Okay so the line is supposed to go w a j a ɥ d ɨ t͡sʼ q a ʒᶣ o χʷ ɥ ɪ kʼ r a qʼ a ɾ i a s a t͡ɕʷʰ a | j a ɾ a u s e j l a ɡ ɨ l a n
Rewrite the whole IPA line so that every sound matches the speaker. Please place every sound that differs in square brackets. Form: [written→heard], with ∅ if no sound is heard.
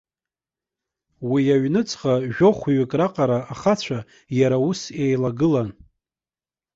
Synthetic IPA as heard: w [a→i] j a ɥ [d→n] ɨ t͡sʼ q a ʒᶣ o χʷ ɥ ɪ kʼ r a qʼ a ɾ [i→a] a [s→χ] a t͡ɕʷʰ a | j a ɾ a u s e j l a ɡ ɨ l a n